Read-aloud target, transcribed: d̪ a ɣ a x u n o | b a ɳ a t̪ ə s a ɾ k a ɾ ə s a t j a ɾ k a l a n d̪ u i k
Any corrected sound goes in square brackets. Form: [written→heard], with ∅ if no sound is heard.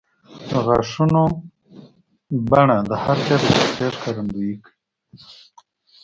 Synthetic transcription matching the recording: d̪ [a→ə] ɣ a [x→ʂ] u n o | b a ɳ a [t̪→d̪] ə [s→h] a ɾ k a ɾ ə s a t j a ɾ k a [l→ɾ] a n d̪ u i k